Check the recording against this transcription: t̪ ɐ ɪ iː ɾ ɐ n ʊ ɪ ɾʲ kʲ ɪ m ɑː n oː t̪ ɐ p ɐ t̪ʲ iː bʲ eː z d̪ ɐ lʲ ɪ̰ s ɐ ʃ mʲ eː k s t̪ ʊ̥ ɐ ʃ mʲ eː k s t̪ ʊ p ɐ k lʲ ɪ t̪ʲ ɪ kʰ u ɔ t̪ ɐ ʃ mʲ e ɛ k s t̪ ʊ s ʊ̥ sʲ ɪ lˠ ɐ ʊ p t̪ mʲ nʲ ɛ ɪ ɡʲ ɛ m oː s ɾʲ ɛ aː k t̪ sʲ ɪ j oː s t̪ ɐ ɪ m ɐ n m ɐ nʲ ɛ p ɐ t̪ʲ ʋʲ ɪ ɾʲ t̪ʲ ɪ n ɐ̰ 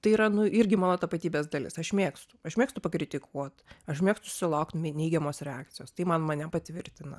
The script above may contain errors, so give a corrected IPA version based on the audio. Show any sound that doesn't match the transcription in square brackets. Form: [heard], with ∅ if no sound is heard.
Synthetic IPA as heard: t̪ ɐ ɪ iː ɾ ɐ n ʊ ɪ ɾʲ [ɡʲ] ɪ m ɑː n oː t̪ ɐ p ɐ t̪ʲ iː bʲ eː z d̪ ɐ lʲ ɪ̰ s ɐ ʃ mʲ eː k s t̪ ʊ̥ ɐ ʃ mʲ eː k s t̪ ʊ p ɐ k [ɾʲ] ɪ t̪ʲ ɪ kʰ u ɔ t̪ ɐ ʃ mʲ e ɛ k s t̪ ʊ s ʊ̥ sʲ ɪ lˠ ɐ ʊ [k] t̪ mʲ nʲ ɛ ɪ ɡʲ ɛ m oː s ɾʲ ɛ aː k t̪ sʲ ɪ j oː s t̪ ɐ ɪ m ɐ n m ɐ nʲ ɛ p ɐ t̪ʲ ʋʲ ɪ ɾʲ t̪ʲ ɪ n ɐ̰